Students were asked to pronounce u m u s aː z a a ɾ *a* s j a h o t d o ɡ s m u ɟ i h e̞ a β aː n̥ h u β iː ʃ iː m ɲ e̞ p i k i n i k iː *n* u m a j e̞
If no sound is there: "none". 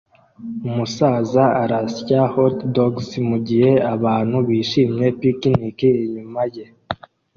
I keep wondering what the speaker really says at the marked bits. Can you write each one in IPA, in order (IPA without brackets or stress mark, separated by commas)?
a, ɲ